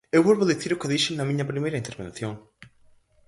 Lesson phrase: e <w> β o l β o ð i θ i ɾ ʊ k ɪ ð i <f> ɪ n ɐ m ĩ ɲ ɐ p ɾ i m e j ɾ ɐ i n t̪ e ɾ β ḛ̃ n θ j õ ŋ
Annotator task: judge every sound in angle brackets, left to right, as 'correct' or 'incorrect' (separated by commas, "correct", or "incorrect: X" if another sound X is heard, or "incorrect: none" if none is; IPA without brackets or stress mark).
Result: correct, incorrect: ʃ